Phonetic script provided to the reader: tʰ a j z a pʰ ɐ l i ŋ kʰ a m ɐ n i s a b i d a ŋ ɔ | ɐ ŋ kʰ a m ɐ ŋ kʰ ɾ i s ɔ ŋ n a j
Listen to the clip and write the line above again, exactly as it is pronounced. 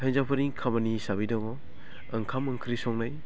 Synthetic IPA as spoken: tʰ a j z a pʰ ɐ ɾ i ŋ kʰ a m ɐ n i s a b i d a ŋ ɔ | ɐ ŋ kʰ a m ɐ ŋ kʰ ɾ i s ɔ ŋ n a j